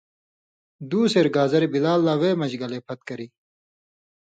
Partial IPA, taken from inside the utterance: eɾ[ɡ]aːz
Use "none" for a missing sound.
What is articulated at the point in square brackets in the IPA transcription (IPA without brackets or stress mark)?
ɡ